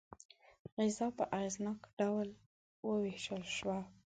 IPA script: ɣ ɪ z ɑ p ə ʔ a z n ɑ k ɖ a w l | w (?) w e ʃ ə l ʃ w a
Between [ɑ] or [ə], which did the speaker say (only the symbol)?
ə